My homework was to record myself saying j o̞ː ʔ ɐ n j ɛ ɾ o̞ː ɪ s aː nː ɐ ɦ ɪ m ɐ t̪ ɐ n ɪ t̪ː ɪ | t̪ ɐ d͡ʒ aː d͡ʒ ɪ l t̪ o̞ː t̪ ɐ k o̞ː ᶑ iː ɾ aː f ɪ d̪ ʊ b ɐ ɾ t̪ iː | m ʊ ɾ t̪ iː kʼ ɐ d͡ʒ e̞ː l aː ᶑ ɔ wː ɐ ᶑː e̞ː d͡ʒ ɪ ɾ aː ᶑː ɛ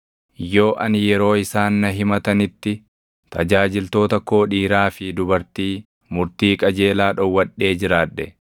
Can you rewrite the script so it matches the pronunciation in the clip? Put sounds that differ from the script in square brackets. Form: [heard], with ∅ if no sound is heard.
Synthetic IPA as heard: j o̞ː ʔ ɐ n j ɛ ɾ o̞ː ɪ s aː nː ɐ ɦ ɪ m ɐ t̪ ɐ n ɪ t̪ː ɪ | t̪ ɐ d͡ʒ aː d͡ʒ ɪ l t̪ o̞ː t̪ ɐ k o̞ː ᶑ iː ɾ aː f ɪ d̪ ʊ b ɐ ɾ t̪ iː | m ʊ ɾ t̪ iː kʼ ɐ d͡ʒ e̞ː l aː ᶑ ɔ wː ɐ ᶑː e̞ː d͡ʒ ɪ ɾ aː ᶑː ɛ